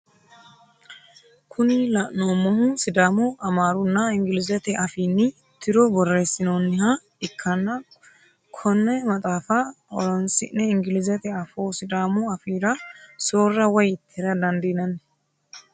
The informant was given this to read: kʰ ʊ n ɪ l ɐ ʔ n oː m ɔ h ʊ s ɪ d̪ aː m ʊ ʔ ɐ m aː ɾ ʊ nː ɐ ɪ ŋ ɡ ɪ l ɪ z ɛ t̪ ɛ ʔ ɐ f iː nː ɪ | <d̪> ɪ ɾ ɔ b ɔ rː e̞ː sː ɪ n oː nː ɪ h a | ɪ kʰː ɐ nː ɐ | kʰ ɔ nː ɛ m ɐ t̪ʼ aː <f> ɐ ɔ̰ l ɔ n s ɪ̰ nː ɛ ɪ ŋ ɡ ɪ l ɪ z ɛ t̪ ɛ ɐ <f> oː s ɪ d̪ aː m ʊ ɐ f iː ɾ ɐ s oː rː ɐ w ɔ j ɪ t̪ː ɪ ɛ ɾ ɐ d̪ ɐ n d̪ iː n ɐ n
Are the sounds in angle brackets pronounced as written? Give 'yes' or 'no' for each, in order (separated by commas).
no, yes, yes